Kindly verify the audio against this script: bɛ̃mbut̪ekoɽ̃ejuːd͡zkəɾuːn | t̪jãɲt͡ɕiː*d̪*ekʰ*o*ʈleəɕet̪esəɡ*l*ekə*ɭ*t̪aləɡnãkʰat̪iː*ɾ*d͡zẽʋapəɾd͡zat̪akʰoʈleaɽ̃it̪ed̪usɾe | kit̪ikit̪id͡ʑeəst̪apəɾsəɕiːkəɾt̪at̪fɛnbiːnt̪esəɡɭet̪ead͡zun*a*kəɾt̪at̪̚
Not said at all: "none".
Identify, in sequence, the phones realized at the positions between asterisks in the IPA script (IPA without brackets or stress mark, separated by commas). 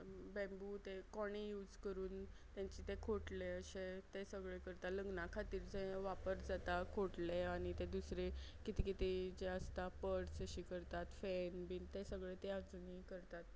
t̪, o, ɭ, ɾ, ɾ, i